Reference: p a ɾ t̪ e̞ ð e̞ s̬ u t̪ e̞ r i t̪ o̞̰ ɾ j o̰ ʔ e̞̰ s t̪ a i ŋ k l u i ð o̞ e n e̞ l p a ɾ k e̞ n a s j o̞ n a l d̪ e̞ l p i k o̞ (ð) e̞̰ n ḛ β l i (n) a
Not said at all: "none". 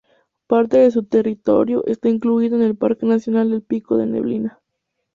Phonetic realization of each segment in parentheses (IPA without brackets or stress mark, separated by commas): ð, n